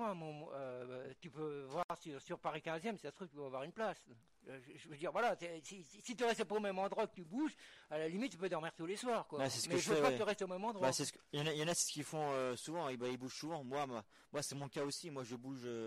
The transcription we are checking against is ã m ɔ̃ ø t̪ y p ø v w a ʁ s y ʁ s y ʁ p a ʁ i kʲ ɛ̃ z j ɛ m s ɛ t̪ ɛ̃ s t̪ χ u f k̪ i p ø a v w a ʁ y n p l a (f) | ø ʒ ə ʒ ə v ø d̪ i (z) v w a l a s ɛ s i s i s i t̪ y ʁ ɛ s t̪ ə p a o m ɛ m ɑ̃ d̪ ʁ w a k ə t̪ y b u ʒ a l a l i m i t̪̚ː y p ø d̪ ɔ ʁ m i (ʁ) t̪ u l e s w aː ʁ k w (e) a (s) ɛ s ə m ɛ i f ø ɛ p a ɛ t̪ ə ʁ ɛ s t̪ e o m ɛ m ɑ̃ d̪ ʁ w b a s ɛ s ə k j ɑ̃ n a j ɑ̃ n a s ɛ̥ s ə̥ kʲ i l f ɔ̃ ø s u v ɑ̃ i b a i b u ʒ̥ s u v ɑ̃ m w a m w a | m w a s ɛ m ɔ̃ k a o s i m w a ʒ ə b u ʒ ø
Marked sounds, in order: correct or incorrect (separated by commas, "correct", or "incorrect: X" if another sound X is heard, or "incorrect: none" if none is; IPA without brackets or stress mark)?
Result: incorrect: s, incorrect: ʁ, correct, incorrect: a, correct